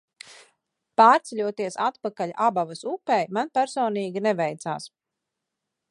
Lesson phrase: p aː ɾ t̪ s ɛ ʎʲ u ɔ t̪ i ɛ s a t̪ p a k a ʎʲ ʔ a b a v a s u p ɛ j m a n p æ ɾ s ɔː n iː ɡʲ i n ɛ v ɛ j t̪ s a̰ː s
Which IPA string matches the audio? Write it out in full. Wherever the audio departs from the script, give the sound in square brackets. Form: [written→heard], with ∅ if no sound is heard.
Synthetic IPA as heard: p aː ɾ t̪ s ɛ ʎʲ u ɔ t̪ i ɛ s a t̪ p a k a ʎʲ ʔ a b a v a s u p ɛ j m a n p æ ɾ s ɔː n iː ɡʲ i n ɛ v ɛ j t̪ s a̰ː s